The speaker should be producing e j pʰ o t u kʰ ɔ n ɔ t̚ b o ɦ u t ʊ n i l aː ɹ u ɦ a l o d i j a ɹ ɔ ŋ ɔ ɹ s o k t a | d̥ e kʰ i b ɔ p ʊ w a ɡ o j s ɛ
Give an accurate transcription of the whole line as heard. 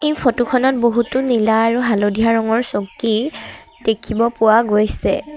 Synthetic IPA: e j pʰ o t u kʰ ɔ n ɔ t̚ b o ɦ u t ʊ n i l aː ɹ u ɦ a l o d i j a ɹ ɔ ŋ ɔ ɹ s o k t i | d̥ e kʰ i b ɔ p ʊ w a ɡ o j s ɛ